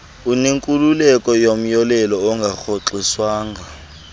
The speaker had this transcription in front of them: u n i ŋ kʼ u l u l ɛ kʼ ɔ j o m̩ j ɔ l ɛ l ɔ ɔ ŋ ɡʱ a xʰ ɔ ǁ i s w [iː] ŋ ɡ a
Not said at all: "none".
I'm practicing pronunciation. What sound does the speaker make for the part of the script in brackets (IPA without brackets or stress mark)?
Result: aː